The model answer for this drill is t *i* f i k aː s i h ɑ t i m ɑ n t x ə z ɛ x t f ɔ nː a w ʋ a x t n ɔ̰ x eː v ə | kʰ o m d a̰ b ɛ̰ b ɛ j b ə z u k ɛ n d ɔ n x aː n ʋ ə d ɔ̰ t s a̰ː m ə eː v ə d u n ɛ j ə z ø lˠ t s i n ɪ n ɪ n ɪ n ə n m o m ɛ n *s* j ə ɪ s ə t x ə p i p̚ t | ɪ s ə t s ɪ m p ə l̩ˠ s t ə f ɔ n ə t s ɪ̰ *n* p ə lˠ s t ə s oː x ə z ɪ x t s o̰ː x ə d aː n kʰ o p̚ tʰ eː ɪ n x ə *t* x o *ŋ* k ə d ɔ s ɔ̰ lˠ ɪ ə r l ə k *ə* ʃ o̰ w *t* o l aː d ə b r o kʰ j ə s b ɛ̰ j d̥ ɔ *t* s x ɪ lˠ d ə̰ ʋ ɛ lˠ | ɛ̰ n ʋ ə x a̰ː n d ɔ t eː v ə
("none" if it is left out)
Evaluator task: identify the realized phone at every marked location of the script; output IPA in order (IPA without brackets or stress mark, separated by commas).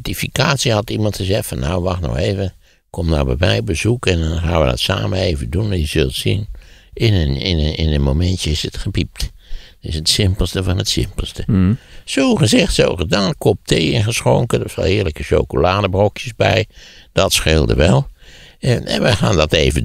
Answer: i, t, m, s, ŋ, ə, k, t